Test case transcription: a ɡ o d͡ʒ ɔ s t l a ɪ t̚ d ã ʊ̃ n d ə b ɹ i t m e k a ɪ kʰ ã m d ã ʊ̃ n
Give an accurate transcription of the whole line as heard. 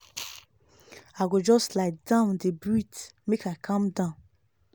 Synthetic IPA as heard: a ɡ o d͡ʒ ɔ s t l a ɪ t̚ d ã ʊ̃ n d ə b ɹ i t m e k a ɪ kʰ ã m d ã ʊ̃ n